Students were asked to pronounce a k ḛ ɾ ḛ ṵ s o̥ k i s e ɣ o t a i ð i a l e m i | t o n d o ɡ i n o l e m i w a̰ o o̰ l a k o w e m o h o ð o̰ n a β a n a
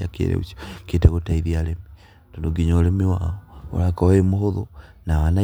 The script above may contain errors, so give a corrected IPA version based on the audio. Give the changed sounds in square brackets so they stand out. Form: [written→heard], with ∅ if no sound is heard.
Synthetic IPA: a k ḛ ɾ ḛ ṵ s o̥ k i [s→t] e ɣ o t a i ð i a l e m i | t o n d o ɡ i [n→ɲ] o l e m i w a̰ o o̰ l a k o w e m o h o ð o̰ n a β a n a